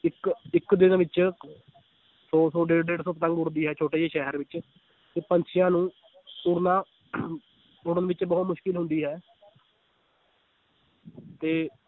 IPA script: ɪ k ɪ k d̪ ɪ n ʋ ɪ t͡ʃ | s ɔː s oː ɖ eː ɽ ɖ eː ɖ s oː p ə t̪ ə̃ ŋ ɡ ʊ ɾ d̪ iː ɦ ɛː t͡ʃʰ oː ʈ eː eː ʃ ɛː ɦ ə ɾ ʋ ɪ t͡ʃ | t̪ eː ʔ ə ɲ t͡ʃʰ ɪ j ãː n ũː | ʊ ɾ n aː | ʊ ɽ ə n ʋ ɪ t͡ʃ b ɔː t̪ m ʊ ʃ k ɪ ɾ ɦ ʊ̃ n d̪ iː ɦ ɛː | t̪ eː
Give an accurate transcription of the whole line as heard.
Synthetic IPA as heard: ɪ k ɪ k d̪ ɪ n ʋ ɪ t͡ʃ | s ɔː s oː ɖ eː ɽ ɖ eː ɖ s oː p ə t̪ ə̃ ŋ ɡ ʊ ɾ d̪ iː ɦ ɛː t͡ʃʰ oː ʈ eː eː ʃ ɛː ɦ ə ɾ ʋ ɪ t͡ʃ | t̪ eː p ə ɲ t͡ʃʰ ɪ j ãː n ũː | ʊ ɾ n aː | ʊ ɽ ə n ʋ ɪ t͡ʃ b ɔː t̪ m ʊ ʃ k ɪ l ɦ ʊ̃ n d̪ iː ɦ ɛː | t̪ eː

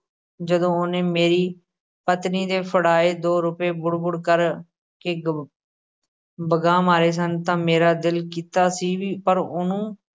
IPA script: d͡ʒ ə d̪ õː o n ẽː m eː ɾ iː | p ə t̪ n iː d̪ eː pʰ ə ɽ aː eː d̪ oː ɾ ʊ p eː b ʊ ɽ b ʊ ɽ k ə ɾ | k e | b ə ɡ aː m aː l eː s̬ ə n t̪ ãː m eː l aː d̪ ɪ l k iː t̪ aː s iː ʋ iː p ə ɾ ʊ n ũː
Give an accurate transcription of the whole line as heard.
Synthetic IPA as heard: d͡ʒ ə d̪ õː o n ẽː m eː ɾ iː | p ə t̪ n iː d̪ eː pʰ ə ɽ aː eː d̪ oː ɾ ʊ p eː b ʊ ɽ b ʊ ɽ k ə ɾ | k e | b ə ɡ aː m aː ɾ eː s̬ ə n t̪ ãː m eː ɾ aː d̪ ɪ l k iː t̪ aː s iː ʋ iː p ə ɾ ʊ n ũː

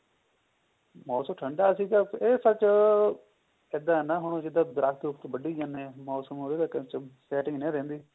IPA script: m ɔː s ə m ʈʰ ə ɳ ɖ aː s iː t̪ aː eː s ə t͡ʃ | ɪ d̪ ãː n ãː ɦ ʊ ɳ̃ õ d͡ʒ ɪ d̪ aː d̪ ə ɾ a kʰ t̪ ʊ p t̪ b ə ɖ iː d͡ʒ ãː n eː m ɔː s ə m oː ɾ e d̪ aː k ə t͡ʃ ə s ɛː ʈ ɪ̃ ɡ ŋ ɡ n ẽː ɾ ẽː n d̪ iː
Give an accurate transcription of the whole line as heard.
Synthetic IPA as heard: m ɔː s ə m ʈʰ ə ɳ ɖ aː s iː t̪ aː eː s ə t͡ʃ | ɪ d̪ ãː n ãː ɦ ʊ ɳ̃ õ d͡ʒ ɪ d̪ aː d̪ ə ɾ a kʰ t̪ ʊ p t̪ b ə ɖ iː d͡ʒ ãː n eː m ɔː s ə m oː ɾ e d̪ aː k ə t͡ʃ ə s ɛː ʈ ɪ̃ ŋ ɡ n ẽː ɾ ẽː n d̪ iː

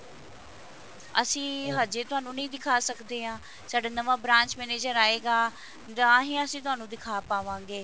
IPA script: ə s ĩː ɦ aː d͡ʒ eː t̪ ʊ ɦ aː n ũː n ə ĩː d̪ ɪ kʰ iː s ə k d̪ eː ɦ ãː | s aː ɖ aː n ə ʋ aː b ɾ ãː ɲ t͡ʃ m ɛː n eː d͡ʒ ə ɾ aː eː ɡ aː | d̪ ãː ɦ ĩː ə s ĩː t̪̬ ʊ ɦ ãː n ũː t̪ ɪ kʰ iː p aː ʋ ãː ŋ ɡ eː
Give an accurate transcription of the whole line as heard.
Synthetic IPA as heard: ə s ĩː ɦ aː d͡ʒ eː t̪ ʊ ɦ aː n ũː n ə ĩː d̪ ɪ kʰ aː s ə k d̪ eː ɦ ãː | s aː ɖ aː n ə ʋ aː b ɾ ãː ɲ t͡ʃ m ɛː n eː d͡ʒ ə ɾ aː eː ɡ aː | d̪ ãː ɦ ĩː ə s ĩː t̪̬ ʊ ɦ aː n ũː d̪ ɪ kʰ aː p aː ʋ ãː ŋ ɡ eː

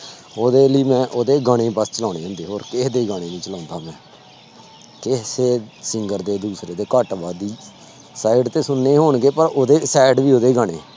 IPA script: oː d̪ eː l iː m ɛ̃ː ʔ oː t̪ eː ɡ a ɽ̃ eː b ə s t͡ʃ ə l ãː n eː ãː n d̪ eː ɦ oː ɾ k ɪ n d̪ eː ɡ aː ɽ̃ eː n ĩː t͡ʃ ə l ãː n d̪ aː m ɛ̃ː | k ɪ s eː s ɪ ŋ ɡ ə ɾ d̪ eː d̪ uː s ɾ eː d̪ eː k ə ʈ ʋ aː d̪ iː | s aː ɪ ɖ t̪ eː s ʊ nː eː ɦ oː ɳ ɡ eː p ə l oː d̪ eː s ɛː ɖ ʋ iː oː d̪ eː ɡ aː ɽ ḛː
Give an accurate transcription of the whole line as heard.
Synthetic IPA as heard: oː d̪ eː l iː m ɛ̃ː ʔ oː d̪ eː ɡ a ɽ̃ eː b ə s t͡ʃ ə l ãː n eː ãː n d̪ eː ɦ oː ɾ k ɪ d̪ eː ɡ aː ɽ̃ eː n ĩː t͡ʃ ə l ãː n d̪ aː m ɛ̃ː | k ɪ s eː s ɪ ŋ ɡ ə ɾ d̪ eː d̪ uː s ɾ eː d̪ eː k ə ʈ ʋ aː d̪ iː | s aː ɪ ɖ t̪ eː s ʊ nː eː ɦ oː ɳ ɡ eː p ə ɾ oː d̪ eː s ɛː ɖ ʋ iː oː d̪ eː ɡ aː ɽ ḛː

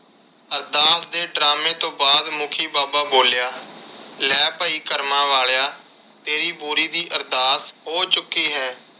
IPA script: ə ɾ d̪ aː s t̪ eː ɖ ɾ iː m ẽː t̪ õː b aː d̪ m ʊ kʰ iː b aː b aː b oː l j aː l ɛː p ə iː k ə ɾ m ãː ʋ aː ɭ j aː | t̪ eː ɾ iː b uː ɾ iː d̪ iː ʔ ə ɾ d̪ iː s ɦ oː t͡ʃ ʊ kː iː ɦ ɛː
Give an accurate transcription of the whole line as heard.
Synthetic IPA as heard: ə ɾ d̪ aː s d̪ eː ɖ ɾ aː m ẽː t̪ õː b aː d̪ m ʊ kʰ iː b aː b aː b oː l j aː l ɛː p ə iː k ə ɾ m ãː ʋ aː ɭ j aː | t̪ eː ɾ iː b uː ɾ iː d̪ iː ʔ ə ɾ d̪ aː s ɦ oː t͡ʃ ʊ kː iː ɦ ɛː

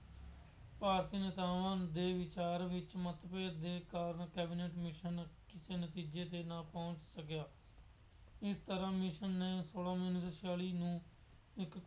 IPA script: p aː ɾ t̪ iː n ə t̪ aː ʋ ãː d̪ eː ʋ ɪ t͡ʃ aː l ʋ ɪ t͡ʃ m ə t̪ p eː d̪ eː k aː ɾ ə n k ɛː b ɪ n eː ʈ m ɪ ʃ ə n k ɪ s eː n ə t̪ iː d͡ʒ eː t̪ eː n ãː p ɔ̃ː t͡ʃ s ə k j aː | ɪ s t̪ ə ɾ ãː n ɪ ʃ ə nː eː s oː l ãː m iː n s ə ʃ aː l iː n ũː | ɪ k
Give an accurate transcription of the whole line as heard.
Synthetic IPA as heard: p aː ɾ t̪ iː n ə t̪ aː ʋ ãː d̪ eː ʋ ɪ t͡ʃ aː ɾ ʋ ɪ t͡ʃ m ə t̪ p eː d̪ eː k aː ɾ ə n k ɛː b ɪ n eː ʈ m ɪ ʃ ə n k ɪ s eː n ə t̪ iː d͡ʒ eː t̪ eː n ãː p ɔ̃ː t͡ʃ s ə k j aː | ɪ s t̪ ə ɾ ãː m ɪ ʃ ə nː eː s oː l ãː m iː n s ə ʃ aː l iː n ũː | ɪ k

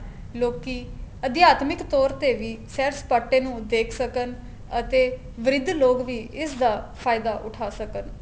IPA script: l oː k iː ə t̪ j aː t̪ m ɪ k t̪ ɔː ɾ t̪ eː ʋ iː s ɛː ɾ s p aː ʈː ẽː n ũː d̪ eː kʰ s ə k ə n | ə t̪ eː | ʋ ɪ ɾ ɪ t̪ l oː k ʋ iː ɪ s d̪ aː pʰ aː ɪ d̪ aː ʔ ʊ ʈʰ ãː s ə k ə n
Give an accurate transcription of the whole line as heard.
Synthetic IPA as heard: l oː k iː ə d̪ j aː t̪ m ɪ k t̪ ɔː ɾ t̪ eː ʋ iː s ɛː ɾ s p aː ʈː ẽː n ũː d̪ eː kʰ s ə k ə n | ə t̪ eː | ʋ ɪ ɾ ɪ d̪ l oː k ʋ iː ɪ s d̪ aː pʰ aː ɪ d̪ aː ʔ ʊ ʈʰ aː s ə k ə n

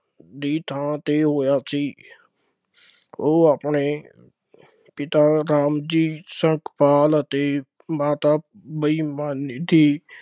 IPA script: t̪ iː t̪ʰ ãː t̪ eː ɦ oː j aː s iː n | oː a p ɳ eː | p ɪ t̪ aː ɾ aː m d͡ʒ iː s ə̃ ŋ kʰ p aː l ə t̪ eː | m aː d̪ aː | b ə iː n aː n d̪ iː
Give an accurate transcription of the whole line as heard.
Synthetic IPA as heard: d̪ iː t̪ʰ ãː t̪ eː ɦ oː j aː s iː | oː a p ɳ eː | p ɪ t̪ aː ɾ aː m d͡ʒ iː s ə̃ ŋ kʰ p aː l ə t̪ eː | m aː t̪ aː | b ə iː m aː n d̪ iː

